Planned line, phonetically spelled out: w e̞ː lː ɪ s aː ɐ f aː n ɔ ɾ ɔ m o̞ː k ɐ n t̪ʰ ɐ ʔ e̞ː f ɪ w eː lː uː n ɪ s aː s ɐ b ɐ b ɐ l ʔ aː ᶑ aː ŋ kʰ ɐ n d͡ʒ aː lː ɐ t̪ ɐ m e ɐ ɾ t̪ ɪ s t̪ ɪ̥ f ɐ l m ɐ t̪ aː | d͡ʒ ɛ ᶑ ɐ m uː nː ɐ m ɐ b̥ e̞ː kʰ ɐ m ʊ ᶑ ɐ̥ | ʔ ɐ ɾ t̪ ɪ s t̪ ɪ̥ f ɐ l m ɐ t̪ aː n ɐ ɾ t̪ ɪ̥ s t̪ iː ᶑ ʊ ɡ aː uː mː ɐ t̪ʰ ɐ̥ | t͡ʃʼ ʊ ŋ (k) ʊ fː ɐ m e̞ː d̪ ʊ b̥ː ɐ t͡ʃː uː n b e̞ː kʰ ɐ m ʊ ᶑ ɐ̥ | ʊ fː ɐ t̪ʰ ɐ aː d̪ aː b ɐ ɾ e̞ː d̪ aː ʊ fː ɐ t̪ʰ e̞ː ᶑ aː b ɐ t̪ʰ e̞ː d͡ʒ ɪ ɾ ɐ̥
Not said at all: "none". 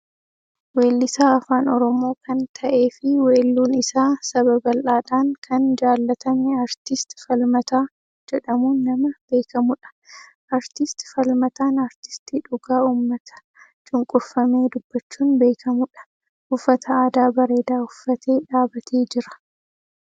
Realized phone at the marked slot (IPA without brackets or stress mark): kʼ